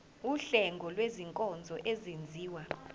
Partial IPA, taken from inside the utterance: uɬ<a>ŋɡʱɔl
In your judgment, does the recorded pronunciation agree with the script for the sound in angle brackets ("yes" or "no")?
no